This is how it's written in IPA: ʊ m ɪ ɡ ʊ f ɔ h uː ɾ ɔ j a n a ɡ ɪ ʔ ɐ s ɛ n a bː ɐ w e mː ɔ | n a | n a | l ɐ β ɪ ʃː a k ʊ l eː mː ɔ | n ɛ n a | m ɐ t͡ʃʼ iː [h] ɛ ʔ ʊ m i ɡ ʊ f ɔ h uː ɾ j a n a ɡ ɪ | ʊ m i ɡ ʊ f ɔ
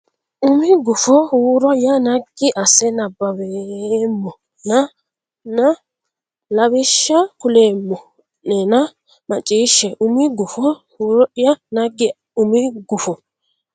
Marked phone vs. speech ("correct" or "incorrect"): incorrect